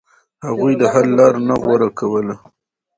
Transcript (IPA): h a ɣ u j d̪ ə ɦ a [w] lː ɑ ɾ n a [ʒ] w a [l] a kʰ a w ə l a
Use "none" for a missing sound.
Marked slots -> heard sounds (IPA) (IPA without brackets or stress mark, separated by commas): none, ɣ, ɾ